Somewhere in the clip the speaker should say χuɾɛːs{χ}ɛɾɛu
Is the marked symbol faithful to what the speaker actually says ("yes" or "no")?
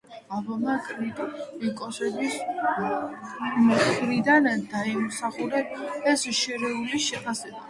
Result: no